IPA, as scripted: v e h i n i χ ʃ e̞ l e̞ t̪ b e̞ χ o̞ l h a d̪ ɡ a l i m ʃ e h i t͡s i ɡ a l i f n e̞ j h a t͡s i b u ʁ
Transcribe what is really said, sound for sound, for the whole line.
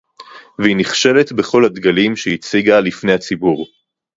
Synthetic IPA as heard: v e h i n i χ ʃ e̞ l e̞ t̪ b e̞ χ o̞ l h a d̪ ɡ a l i m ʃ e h i t͡s i ɡ a l i f n e̞ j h a t͡s i b u ʁ